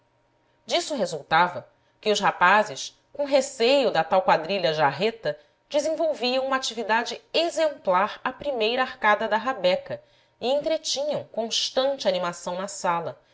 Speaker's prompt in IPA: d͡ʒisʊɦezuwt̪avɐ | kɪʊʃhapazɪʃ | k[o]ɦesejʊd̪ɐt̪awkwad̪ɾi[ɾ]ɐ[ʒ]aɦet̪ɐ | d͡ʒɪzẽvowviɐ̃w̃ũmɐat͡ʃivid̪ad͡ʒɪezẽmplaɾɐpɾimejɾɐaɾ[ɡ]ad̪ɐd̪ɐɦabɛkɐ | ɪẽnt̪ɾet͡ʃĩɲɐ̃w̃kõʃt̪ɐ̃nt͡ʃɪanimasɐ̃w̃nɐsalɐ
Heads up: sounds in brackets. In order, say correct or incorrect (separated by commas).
incorrect, incorrect, correct, incorrect